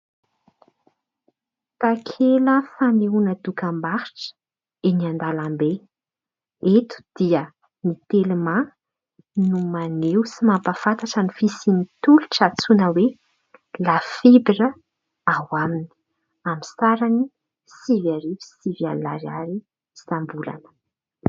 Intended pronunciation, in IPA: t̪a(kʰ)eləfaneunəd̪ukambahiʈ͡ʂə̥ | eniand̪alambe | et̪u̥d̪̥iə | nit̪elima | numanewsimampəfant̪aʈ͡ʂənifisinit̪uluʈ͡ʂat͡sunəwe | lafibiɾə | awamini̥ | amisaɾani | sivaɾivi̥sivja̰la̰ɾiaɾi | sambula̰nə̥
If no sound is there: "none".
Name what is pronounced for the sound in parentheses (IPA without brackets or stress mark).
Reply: kʰ